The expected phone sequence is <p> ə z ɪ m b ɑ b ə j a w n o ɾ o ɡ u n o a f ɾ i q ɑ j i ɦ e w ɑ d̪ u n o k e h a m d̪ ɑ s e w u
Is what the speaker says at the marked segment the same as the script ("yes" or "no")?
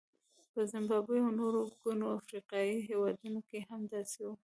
yes